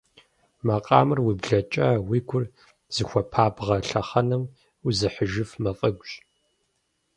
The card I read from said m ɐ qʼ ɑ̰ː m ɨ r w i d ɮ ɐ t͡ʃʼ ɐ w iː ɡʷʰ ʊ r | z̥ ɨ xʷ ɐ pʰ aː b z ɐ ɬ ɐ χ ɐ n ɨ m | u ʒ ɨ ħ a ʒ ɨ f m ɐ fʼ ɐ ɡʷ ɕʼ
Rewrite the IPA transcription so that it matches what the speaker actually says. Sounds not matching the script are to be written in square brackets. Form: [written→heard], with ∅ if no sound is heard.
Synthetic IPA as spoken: m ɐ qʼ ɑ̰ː m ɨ r w i [d→b] ɮ ɐ t͡ʃʼ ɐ w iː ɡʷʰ ʊ r | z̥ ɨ xʷ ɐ pʰ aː b [z→ʁ] ɐ ɬ ɐ χ ɐ n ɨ m | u [ʒ→z] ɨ ħ [a→ə] ʒ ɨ f m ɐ fʼ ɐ ɡʷ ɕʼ